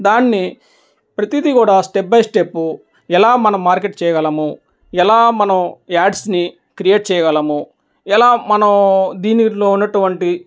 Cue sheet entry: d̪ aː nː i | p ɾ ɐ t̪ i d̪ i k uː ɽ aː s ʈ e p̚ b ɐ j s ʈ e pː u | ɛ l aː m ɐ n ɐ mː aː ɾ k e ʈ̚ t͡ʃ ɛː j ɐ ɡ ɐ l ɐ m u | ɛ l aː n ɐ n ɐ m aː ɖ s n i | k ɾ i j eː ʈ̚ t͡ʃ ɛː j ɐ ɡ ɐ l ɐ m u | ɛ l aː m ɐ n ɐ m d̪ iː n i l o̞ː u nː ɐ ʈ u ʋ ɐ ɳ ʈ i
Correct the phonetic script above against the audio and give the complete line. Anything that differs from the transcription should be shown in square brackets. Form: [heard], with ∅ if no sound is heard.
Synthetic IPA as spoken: d̪ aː nː i | p ɾ ɐ t̪ i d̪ i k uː ɽ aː s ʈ e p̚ b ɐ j s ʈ e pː u | ɛ l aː m ɐ n ɐ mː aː ɾ k e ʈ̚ t͡ʃ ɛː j ɐ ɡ ɐ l ɐ m u | ɛ l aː [m] ɐ n ɐ m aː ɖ s n i | k ɾ i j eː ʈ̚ t͡ʃ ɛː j ɐ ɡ ɐ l ɐ m u | ɛ l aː m ɐ n ɐ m d̪ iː n i l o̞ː u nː ɐ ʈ u ʋ ɐ ɳ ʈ i